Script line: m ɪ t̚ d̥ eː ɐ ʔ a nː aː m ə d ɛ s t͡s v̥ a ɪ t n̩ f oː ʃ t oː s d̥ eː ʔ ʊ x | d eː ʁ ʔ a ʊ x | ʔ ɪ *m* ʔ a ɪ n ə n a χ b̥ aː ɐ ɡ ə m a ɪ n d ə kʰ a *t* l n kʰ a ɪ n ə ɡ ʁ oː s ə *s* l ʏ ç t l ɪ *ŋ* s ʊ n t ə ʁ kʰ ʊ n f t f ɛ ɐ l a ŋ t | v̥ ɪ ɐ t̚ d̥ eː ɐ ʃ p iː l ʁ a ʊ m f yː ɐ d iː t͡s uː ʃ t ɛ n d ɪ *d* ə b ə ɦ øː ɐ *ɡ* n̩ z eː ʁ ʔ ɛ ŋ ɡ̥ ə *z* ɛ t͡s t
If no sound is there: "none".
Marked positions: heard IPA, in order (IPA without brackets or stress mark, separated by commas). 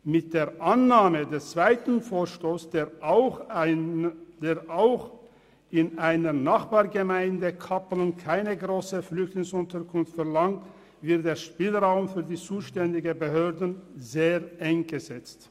n, p, f, ŋ, ɡ, d, z